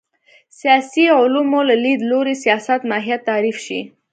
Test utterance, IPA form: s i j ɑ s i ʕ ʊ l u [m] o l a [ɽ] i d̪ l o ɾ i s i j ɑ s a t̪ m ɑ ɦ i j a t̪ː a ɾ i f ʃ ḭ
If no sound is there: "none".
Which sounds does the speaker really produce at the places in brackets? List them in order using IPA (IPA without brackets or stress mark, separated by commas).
m, l